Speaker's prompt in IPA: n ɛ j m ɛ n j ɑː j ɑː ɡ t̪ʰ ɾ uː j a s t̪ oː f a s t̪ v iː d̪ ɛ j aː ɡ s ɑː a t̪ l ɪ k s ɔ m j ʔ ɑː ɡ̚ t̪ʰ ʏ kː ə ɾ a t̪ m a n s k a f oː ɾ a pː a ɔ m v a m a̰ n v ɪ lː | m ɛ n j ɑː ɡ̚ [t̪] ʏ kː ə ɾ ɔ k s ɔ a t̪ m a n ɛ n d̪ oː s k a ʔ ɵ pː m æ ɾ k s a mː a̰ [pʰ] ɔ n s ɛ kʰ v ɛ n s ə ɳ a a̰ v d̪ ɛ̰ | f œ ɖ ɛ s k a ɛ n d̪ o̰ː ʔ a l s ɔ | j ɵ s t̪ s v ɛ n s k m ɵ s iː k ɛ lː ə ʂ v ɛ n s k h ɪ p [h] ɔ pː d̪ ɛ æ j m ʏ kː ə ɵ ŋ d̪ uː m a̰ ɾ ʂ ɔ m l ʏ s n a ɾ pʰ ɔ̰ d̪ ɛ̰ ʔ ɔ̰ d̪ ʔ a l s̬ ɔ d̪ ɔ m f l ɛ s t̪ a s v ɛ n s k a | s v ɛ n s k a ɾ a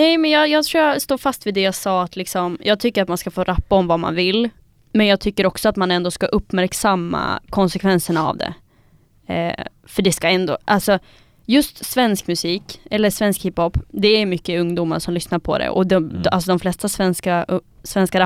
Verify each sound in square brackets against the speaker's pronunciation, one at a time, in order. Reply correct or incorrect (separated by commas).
incorrect, incorrect, correct